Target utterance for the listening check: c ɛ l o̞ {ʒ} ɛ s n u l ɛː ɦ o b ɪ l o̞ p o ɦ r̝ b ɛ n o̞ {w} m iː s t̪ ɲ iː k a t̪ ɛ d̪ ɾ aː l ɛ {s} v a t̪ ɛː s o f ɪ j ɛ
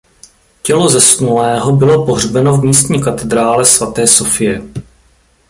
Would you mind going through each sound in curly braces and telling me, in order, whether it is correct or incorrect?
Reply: incorrect: z, incorrect: v, correct

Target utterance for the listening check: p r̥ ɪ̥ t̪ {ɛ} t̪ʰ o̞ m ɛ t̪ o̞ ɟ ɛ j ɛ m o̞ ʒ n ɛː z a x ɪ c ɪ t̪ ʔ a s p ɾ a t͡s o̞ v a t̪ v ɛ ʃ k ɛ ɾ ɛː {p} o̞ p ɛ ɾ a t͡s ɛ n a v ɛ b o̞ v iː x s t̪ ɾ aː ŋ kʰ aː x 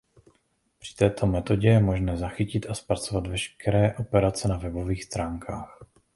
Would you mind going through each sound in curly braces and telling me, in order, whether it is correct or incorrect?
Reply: incorrect: ɛː, incorrect: ʔ

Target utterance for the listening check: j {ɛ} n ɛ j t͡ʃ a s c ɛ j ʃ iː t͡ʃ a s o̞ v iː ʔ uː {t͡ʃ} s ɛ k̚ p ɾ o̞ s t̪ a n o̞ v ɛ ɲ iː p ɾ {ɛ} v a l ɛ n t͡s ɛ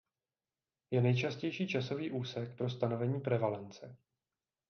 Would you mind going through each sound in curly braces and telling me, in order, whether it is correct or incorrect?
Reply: correct, incorrect: none, correct

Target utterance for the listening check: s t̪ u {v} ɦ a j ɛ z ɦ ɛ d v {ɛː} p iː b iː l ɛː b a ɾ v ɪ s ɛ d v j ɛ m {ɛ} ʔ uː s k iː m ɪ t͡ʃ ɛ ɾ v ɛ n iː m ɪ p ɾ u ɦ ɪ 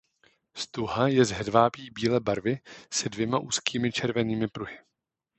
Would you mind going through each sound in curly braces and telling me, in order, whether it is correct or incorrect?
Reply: incorrect: none, incorrect: aː, incorrect: a

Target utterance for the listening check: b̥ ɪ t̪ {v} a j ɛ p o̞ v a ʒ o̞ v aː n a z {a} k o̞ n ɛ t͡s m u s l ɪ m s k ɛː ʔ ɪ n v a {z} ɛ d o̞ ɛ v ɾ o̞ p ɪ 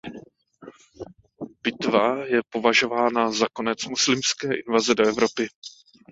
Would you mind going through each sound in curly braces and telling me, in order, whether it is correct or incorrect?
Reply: correct, correct, correct

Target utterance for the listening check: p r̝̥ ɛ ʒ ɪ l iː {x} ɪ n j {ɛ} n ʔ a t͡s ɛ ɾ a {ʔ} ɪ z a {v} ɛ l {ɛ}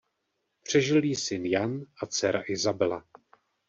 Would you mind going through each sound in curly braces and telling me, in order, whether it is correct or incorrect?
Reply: incorrect: s, incorrect: a, correct, incorrect: b, incorrect: a

